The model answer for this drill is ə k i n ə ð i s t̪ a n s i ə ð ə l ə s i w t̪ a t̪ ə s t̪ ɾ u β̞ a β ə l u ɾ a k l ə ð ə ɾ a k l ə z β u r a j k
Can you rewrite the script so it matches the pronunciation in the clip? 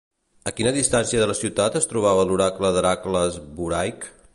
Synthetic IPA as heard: ə k i n ə ð i s t̪ a n s i ə ð ə l ə s i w t̪ a t̪ ə s t̪ ɾ u β̞ a β ə l u ɾ a k l ə ð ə ɾ a k l ə z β u ɾ a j k